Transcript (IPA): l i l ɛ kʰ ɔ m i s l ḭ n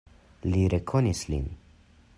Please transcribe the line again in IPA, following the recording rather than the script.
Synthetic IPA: l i ɾ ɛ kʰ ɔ n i s l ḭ n